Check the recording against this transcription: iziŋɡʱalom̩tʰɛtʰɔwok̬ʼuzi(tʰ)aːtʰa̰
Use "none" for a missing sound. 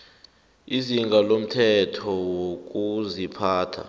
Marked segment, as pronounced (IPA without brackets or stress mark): pʰ